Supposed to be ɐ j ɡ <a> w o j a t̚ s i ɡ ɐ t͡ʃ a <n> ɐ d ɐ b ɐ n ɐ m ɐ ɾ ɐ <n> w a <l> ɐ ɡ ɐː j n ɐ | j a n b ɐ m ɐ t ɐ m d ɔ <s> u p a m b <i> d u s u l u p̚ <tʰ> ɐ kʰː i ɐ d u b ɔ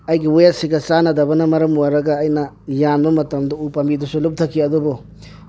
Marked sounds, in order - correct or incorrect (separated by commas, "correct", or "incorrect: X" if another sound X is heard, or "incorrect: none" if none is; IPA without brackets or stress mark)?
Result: incorrect: i, correct, incorrect: m, incorrect: ɾ, incorrect: none, correct, correct